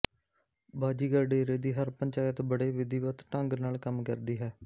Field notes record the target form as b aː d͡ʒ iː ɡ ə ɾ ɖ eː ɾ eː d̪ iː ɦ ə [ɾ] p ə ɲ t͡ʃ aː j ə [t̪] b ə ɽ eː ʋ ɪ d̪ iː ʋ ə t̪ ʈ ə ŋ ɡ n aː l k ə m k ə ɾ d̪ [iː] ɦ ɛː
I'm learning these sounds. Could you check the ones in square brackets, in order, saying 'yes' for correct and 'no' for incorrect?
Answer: yes, yes, yes

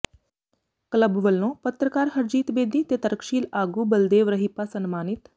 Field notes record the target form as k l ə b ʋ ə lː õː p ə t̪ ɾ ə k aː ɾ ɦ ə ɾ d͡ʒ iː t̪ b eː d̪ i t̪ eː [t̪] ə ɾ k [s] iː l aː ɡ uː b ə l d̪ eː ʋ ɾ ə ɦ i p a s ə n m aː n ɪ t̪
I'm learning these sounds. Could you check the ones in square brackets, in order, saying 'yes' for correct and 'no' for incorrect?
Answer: yes, no

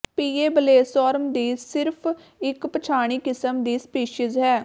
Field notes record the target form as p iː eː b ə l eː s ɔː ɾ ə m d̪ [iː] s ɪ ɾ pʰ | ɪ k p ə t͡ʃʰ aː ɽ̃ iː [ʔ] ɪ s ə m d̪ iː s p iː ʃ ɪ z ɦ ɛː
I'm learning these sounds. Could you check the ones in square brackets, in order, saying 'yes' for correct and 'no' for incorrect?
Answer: yes, no

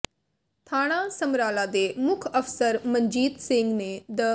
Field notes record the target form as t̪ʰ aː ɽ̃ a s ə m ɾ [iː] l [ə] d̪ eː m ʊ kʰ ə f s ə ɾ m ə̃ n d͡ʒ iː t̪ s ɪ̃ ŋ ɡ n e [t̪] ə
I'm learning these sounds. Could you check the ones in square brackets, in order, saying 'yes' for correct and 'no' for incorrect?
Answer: no, no, no

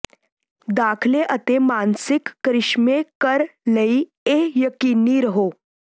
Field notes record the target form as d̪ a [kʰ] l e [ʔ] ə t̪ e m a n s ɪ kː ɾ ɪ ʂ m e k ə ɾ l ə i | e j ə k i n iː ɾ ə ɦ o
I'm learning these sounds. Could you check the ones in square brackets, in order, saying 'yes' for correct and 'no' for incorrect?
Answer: yes, yes

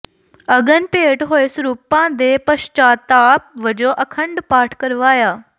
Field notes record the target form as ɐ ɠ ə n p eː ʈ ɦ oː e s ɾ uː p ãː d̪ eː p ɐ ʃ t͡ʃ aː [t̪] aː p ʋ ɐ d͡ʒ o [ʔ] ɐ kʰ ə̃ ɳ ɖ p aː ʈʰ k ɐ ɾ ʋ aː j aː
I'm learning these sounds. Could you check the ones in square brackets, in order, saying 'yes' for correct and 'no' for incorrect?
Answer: yes, yes

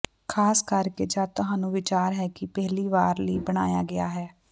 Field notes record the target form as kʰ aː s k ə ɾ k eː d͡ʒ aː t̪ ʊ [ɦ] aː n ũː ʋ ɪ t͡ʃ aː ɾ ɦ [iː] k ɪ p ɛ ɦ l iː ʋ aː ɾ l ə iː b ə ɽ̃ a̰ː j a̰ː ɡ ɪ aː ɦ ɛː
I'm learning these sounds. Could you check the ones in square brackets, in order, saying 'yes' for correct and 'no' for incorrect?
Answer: yes, no

